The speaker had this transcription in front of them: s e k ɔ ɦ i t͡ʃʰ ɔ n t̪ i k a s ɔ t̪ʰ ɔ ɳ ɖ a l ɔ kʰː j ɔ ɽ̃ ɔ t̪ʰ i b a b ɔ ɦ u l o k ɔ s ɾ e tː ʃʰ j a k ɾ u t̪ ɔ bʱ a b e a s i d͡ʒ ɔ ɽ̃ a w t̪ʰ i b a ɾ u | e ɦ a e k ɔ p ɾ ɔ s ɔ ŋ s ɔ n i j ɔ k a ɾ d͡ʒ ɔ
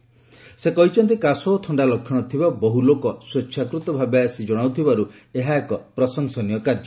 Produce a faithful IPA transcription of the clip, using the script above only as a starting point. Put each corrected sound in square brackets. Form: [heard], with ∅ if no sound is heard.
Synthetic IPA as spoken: s e k ɔ ɦ i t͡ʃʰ ɔ n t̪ i k a s ɔ t̪ʰ ɔ ɳ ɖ a l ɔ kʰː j ɔ ɽ̃ ɔ t̪ʰ i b a b ɔ ɦ u l o k ɔ s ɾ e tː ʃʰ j a k ɾ u t̪ ɔ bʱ a b e a s i d͡ʒ ɔ ɽ̃ a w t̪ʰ i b a ɾ u | e ɦ a e k ɔ p ɾ ɔ s ɔ ŋ s ɔ n i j ɔ k a ɾ d͡ʒ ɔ